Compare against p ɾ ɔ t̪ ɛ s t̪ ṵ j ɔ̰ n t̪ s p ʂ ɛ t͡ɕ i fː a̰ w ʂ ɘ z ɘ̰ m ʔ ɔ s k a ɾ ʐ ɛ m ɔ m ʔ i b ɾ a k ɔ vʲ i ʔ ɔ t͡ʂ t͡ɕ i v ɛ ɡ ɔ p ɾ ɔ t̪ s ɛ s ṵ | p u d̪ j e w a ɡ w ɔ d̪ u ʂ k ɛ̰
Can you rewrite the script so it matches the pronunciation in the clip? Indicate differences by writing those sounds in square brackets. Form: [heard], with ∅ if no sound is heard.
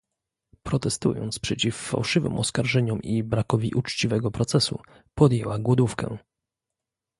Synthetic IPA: p ɾ ɔ t̪ ɛ s t̪ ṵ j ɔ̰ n t̪ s p ʂ ɛ t͡ɕ i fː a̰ w ʂ ɘ [v] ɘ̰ m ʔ ɔ s k a ɾ ʐ ɛ [ɲ] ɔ m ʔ i b ɾ a k ɔ vʲ i ʔ [u] t͡ʂ t͡ɕ i v ɛ ɡ ɔ p ɾ ɔ t̪ s ɛ s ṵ | p [ɔ] d̪ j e w a ɡ w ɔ d̪ u [f] k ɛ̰